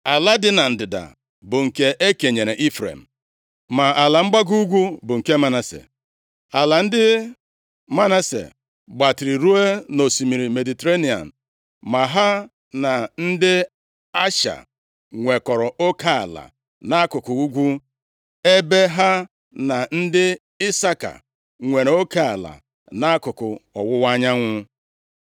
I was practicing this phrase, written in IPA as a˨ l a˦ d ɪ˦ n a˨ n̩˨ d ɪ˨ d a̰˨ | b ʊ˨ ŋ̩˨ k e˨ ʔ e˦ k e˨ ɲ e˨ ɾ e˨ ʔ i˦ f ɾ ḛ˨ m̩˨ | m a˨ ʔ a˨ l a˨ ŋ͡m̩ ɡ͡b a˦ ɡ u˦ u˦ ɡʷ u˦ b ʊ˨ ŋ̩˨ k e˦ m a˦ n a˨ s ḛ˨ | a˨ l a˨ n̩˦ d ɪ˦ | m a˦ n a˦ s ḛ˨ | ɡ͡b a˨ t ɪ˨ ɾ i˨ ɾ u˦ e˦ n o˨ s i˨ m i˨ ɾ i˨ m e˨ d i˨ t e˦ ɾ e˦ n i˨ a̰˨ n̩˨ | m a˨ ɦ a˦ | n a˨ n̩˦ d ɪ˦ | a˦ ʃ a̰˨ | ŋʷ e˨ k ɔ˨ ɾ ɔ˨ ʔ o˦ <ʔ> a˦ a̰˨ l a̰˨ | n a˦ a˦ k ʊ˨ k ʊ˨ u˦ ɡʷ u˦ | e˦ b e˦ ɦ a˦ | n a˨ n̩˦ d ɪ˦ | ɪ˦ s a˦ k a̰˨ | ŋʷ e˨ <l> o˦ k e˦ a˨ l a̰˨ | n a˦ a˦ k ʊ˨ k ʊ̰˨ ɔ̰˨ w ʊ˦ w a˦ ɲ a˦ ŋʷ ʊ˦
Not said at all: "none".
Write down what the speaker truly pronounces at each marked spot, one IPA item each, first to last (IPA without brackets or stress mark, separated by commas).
k, ɾ